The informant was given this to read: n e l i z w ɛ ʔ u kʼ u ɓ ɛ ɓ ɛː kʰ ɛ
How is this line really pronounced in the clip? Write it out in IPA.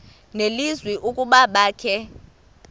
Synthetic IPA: n e l i z w i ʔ u kʼ u ɓ a ɓ aː kʰ ɛ